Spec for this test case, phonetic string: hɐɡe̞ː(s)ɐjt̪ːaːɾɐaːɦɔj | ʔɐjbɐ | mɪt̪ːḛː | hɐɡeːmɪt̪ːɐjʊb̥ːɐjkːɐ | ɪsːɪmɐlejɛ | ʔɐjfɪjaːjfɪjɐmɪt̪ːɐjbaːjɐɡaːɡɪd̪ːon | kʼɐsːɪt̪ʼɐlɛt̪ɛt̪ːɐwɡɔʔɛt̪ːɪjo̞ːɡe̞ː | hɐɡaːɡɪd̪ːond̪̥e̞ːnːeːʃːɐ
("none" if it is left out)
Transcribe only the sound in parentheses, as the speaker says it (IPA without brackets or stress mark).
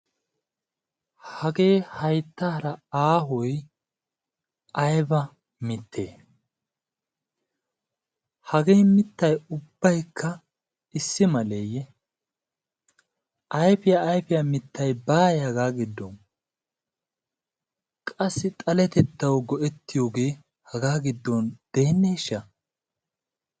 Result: h